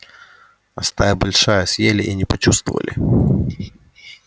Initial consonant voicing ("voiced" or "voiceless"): voiceless